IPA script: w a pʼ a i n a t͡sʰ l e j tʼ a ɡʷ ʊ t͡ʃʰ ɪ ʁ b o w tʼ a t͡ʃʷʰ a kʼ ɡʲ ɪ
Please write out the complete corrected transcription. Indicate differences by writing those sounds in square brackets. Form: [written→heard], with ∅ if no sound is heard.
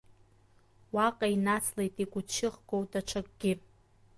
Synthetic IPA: w a [pʼ→qʼ] a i n a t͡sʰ l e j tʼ [a→i] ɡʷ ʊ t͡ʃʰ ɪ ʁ [b→ɡ] o w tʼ a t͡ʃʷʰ a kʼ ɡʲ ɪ